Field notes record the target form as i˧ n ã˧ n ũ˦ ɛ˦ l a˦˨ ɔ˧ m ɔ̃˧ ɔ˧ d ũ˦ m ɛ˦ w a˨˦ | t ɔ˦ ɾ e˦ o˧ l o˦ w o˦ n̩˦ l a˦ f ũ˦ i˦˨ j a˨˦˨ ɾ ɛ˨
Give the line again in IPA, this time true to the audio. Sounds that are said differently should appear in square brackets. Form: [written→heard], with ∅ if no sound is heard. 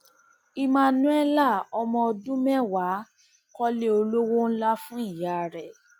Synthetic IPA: i˧ [n→m] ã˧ n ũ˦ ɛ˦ l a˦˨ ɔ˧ m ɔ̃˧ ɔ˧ d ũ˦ m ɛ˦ w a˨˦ | [t→k] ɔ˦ [ɾ→l] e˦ o˧ l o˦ w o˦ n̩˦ l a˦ f ũ˦ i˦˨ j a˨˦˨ ɾ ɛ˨